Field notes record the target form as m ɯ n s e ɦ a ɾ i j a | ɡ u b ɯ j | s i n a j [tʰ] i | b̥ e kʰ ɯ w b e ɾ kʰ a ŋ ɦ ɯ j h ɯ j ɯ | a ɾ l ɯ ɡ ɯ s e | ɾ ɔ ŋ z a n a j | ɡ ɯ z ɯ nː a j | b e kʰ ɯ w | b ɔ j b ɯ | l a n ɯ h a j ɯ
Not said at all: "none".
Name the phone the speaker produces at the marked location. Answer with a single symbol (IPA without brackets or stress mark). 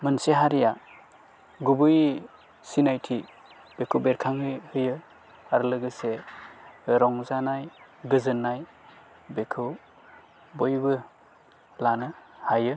tʰ